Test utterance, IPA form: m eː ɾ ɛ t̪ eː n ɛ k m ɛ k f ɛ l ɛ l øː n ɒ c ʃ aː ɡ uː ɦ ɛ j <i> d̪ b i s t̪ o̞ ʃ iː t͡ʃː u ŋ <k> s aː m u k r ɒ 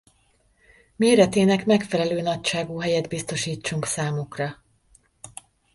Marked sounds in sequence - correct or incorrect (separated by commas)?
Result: incorrect, correct